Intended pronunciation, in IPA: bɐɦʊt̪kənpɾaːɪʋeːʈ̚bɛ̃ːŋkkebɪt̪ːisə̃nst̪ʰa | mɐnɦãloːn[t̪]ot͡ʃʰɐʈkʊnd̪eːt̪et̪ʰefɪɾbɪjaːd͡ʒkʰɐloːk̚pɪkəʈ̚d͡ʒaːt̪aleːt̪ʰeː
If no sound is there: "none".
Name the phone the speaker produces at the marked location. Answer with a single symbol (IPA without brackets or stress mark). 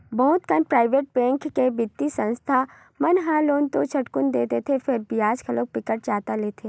t̪